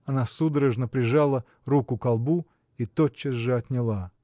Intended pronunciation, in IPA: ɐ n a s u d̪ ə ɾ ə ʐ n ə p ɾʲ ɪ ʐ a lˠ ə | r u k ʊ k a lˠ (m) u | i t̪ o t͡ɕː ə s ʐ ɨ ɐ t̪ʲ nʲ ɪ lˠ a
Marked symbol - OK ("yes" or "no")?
no